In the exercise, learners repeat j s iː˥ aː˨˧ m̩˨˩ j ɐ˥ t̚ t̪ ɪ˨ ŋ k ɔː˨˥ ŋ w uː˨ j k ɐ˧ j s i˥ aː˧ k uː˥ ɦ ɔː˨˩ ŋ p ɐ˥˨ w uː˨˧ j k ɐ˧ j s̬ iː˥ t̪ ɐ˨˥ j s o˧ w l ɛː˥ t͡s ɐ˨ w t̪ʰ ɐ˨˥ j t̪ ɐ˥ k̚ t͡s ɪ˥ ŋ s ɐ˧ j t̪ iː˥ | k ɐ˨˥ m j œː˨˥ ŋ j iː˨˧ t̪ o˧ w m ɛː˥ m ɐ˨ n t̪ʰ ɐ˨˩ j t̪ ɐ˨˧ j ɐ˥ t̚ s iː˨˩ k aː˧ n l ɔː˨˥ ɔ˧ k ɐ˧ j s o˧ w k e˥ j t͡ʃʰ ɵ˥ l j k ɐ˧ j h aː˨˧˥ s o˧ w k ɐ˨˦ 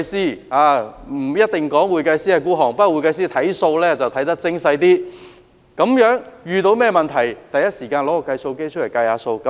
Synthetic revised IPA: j s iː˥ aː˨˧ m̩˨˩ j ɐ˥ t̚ t̪ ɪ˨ ŋ k ɔː˨˥ ŋ w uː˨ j k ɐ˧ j s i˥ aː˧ k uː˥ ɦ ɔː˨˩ ŋ p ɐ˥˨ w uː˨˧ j k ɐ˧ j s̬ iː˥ t̪ʰ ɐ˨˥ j s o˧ w l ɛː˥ t͡s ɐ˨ w t̪ʰ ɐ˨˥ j t̪ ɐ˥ k̚ t͡s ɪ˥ ŋ s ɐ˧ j t̪ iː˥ | k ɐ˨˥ m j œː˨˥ ŋ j yː˨˧ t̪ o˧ w m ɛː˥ m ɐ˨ n t̪ʰ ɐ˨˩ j t̪ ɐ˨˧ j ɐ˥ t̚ s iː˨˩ k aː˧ n l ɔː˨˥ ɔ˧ k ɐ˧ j s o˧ w k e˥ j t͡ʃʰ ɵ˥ l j k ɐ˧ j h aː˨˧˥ s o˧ w k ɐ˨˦